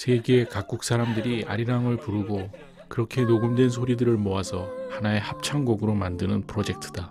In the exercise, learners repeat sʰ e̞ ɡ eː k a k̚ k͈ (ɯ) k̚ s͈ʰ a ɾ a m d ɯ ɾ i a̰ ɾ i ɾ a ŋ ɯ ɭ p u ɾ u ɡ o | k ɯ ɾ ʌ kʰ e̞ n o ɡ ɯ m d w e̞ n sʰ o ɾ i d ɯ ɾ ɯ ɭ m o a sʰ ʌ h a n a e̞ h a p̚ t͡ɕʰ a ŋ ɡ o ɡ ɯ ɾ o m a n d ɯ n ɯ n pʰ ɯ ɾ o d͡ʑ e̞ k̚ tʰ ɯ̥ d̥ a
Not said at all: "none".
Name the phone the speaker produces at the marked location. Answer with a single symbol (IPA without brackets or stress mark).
u